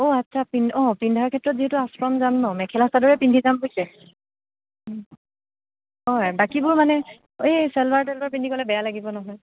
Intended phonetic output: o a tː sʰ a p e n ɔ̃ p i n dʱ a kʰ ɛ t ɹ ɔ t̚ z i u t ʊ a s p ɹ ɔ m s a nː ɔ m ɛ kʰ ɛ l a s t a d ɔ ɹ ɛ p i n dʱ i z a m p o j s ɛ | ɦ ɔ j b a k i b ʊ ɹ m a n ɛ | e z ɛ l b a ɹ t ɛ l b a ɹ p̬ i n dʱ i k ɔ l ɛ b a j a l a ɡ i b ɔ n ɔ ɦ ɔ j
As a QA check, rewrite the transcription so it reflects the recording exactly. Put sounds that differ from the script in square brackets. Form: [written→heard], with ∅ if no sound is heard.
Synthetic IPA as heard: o a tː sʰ a p [e→i] n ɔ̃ p i n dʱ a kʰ ɛ t ɹ ɔ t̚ z i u t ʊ a s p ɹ ɔ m [s→z] a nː ɔ m ɛ kʰ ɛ l a s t a d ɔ ɹ ɛ p i n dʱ i z a m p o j s ɛ | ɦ ɔ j b a k i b ʊ ɹ m a n ɛ | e [z→s] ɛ l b a ɹ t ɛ l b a ɹ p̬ i n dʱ i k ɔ l ɛ b [a→ɛ] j a l a ɡ i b ɔ n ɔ ɦ ɔ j

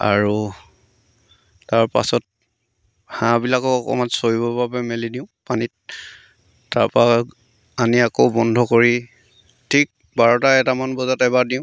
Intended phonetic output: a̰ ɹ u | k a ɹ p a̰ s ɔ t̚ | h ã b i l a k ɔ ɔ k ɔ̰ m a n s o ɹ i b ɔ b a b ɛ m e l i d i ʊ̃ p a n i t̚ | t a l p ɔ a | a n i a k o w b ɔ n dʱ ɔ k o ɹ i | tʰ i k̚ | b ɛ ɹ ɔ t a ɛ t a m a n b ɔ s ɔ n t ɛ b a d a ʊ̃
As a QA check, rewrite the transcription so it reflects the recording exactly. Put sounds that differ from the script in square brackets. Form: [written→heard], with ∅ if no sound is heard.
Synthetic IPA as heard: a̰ ɹ u | [k→t] a ɹ p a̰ s ɔ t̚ | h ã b i l a k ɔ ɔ k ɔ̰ m a n s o ɹ i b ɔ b a b ɛ m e l i d i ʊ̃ p a n i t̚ | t a [l→ɹ] p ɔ a | a n i a k o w b ɔ n dʱ ɔ k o ɹ i | tʰ i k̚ | b [ɛ→a] ɹ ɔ t a ɛ t a m a n b ɔ [s→z] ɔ [n→∅] t ɛ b a d [a→i] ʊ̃

